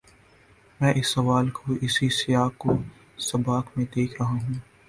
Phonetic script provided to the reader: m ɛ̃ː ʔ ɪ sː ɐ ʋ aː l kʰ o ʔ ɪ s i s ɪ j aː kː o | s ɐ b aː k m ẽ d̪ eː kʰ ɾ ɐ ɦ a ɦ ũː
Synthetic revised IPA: m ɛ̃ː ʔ ɪ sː ɐ ʋ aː l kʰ o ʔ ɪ s i s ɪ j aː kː o | s ɐ b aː k m ẽ d̪ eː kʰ ɾ ɐ ɦ a ɦ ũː